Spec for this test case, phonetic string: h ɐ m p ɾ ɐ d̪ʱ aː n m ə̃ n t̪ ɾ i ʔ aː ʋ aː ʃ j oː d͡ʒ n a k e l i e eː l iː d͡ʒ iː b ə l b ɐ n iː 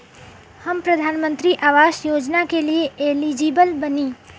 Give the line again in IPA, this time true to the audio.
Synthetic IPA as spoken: h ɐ m p ɾ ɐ d̪ʱ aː n m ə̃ n t̪ ɾ i ʔ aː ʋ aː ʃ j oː d͡ʒ n a k e l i e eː l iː d͡ʒ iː b ə l b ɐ n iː